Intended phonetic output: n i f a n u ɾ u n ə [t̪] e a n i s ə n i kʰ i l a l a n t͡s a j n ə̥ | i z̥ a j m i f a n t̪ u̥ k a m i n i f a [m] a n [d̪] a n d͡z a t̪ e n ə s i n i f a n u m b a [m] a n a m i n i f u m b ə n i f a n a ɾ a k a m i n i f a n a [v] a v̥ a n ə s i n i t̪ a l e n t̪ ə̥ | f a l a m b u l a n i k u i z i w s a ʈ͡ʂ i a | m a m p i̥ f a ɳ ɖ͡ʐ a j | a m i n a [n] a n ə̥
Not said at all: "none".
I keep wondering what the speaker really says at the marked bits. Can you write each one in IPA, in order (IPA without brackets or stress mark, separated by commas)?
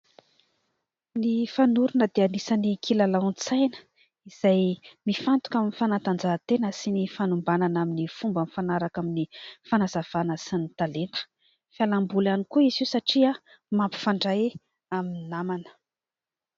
d̪, n, t̪, n, z, m